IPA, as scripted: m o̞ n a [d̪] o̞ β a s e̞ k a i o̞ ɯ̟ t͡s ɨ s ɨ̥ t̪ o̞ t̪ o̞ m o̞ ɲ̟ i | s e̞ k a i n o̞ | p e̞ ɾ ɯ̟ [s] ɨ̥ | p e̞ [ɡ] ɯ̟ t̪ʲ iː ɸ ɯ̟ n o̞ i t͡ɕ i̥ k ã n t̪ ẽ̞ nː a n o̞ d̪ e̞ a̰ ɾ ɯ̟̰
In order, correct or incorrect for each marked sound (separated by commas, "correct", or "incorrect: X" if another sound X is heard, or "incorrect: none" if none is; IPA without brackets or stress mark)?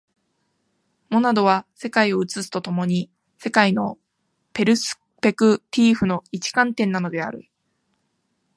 correct, correct, incorrect: k